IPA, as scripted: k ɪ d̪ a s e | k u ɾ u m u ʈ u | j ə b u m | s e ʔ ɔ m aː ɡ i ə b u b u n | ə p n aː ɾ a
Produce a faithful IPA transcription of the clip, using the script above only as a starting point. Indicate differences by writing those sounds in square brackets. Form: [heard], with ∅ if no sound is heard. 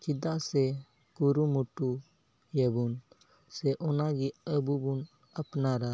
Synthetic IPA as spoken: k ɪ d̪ a s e | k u ɾ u m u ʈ u | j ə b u [n] | s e ʔ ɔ [n] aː ɡ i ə b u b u n | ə p n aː ɾ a